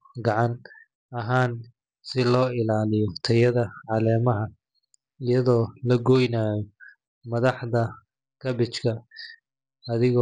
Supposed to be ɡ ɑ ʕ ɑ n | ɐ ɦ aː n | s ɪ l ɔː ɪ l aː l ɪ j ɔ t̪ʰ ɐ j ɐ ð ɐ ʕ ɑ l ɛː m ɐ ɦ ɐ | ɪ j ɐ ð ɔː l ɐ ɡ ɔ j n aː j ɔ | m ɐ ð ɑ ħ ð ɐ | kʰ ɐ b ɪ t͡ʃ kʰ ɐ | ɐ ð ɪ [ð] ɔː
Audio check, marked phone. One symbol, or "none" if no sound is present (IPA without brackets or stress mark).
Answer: ɣ